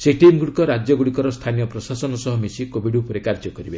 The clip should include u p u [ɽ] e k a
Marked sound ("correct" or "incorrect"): incorrect